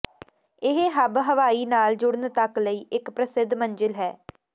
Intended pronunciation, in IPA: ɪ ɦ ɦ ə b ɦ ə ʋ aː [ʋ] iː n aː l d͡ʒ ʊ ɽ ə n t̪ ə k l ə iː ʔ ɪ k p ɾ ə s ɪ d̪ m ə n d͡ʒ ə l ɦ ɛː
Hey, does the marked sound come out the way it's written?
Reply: no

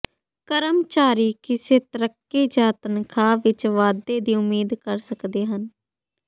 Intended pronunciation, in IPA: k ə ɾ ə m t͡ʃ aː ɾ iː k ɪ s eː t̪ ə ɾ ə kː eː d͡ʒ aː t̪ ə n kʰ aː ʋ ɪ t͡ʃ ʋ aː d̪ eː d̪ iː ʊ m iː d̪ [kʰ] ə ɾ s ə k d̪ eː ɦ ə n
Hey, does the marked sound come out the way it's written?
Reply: no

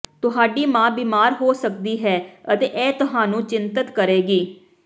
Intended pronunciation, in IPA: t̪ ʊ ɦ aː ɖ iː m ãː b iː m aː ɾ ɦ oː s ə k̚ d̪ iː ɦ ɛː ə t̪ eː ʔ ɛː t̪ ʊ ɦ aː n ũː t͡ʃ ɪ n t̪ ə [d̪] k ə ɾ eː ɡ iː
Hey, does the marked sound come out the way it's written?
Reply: no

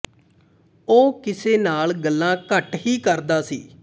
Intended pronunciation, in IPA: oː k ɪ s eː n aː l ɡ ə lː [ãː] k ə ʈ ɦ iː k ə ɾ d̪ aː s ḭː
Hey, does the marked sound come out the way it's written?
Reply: yes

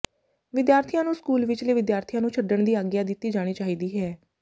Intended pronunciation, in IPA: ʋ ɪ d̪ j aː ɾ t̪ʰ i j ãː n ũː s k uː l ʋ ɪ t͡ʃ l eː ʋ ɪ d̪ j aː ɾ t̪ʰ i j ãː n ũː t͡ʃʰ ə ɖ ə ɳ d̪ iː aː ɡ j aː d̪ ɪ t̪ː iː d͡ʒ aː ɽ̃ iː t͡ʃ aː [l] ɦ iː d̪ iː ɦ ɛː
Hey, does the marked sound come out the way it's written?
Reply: no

